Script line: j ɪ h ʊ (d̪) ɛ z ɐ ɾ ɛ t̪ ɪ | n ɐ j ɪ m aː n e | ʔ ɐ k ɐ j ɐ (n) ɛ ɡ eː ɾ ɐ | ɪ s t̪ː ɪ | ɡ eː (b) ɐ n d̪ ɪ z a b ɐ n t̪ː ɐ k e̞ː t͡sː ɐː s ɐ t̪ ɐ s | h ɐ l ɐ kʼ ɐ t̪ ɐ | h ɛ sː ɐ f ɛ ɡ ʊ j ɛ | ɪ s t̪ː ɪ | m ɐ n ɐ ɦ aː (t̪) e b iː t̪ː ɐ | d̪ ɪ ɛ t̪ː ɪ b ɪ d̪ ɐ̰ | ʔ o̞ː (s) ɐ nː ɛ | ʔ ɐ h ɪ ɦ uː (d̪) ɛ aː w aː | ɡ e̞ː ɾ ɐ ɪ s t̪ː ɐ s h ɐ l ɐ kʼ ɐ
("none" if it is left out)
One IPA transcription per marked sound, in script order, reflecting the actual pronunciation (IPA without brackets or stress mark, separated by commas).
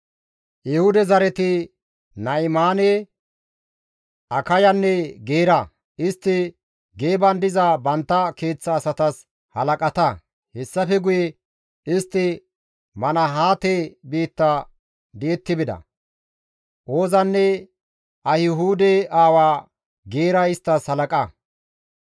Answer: d̪, nː, b, t̪, z, d̪